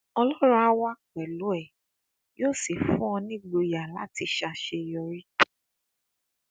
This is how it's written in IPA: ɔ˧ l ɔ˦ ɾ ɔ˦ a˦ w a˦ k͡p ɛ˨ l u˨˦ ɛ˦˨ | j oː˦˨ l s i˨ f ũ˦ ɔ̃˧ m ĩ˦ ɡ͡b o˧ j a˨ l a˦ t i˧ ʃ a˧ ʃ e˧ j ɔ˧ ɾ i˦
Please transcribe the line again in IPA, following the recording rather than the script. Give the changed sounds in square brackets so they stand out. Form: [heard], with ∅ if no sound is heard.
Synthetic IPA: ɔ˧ l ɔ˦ ɾ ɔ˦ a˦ w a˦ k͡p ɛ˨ l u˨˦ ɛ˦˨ | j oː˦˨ [∅] s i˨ f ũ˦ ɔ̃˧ [n] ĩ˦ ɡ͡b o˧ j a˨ l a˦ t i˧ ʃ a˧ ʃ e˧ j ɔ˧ ɾ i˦